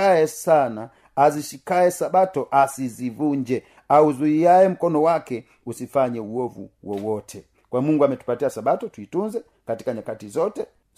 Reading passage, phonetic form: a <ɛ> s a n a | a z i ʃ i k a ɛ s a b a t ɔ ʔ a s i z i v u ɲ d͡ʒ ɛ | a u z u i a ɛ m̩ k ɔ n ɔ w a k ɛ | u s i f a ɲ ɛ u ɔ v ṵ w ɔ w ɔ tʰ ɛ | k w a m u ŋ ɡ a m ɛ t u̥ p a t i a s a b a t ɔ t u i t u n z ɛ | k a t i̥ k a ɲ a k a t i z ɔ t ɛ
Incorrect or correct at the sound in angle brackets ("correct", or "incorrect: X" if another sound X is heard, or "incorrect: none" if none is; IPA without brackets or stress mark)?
correct